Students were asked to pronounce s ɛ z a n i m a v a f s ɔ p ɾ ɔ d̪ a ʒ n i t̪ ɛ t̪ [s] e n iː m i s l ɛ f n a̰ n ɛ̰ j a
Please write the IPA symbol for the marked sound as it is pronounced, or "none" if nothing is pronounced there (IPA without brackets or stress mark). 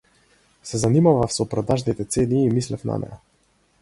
s